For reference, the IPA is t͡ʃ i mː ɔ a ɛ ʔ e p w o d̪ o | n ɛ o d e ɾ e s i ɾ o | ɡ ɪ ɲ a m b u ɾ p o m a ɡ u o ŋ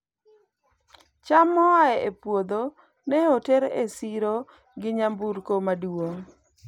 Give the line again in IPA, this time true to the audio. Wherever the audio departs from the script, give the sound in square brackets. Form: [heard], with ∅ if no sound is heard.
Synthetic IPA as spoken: t͡ʃ [a] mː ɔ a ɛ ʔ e p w o d̪ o | n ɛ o [t] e ɾ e s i ɾ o | ɡ ɪ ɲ a m b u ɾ [k] o m a [d] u o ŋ